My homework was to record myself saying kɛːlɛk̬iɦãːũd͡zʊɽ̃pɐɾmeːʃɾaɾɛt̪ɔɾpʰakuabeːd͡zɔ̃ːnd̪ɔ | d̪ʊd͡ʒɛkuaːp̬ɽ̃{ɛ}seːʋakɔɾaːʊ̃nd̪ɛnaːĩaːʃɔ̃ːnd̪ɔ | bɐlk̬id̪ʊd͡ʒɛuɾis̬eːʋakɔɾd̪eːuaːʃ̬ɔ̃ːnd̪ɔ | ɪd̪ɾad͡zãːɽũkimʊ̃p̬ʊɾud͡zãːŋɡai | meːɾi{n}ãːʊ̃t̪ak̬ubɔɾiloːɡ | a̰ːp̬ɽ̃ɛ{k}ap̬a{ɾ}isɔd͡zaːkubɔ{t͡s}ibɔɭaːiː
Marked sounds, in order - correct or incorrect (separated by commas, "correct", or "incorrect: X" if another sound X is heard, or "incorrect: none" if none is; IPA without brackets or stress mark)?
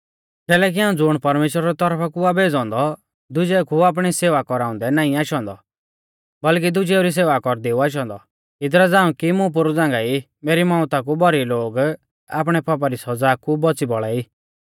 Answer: incorrect: i, incorrect: m, incorrect: p, correct, correct